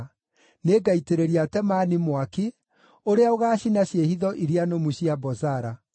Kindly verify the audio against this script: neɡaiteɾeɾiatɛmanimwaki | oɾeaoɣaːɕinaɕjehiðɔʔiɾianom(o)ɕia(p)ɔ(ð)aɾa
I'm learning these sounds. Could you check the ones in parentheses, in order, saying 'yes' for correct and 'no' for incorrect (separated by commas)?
no, no, no